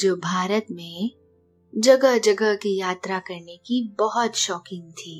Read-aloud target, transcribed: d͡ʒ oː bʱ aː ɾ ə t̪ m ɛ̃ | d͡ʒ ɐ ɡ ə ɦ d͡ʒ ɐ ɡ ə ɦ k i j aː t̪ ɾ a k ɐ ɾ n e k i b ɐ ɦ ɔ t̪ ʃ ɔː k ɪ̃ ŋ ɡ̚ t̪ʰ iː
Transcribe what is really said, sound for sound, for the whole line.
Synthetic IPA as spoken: d͡ʒ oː bʱ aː ɾ ə t̪ m ẽ | d͡ʒ ɐ ɡ ə ɦ d͡ʒ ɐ ɡ ə ɦ k i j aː t̪ ɾ a k ɐ ɾ n e k i b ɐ ɦ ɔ t̪ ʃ ɔː k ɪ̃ ŋ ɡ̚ t̪ʰ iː